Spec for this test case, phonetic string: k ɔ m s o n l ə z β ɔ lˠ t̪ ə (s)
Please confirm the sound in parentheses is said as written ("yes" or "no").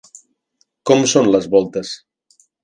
yes